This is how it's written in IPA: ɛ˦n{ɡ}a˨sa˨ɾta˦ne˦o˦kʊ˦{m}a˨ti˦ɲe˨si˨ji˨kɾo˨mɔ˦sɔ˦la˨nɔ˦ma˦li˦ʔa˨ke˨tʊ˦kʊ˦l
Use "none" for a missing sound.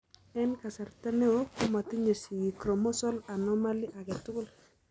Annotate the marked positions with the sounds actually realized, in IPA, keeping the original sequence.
k, m

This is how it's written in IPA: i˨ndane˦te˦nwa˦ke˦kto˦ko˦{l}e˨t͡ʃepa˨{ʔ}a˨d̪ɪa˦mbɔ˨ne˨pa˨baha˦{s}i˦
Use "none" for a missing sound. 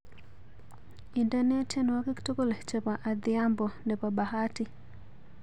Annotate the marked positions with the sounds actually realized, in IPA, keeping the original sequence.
l, ʔ, t

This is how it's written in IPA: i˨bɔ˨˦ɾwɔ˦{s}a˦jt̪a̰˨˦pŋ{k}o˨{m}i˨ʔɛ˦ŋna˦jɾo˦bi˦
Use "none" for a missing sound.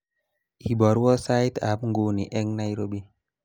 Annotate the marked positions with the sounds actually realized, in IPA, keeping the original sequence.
s, ɡ, n

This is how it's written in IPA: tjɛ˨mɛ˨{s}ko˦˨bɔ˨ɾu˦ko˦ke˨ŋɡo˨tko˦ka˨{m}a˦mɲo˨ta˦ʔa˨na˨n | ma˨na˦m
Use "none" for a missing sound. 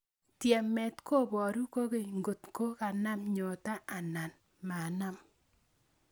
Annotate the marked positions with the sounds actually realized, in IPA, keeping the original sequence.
t, n

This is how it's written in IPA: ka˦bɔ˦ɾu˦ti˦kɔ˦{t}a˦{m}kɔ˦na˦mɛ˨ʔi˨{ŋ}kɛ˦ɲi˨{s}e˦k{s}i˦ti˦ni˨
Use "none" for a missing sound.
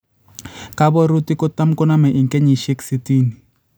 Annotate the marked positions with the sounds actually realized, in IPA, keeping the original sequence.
t, m, ŋ, ʃ, s

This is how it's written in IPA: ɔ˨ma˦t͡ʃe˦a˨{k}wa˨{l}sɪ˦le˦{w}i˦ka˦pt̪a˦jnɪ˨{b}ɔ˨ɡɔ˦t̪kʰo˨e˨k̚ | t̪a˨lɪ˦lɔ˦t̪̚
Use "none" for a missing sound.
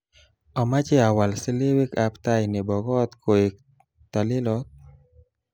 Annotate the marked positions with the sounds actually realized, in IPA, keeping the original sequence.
none, l, w, b

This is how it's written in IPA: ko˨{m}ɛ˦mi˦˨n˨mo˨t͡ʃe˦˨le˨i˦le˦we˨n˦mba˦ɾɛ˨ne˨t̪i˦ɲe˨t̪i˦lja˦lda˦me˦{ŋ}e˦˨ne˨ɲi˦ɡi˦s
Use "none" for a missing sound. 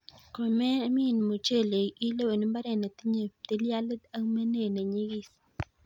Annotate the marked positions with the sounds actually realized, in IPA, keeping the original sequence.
m, n

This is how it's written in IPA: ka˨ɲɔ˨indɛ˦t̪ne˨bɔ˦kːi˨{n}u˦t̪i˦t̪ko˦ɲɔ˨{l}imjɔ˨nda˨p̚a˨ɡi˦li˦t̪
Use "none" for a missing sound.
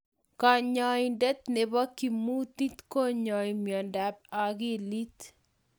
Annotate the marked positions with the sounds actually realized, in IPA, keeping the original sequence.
m, none

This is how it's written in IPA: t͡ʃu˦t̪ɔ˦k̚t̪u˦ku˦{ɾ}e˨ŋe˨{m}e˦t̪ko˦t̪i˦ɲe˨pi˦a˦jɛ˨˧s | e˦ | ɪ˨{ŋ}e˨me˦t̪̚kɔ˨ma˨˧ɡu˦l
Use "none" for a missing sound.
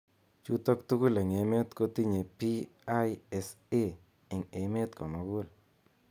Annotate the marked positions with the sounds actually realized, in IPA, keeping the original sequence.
l, m, ŋ

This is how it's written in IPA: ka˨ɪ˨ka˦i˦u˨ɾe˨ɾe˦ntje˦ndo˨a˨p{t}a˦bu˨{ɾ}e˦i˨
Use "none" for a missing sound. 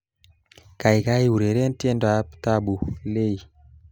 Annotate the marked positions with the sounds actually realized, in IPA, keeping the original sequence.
t, l

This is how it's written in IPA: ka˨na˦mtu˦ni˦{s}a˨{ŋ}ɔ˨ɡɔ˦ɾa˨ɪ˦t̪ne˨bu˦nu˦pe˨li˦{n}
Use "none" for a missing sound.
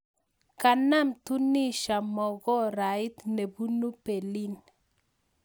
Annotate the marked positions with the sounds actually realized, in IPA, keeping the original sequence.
ʃ, m, n

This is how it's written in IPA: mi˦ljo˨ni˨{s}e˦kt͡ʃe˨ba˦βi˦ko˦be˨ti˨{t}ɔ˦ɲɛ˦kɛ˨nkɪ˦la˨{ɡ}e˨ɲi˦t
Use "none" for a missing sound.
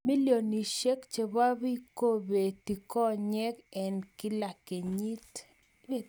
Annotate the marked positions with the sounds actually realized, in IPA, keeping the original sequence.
ʃ, k, k

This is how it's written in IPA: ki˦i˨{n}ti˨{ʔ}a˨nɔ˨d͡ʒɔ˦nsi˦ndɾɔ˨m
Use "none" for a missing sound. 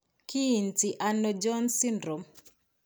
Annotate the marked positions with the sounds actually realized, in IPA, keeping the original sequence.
n, ʔ

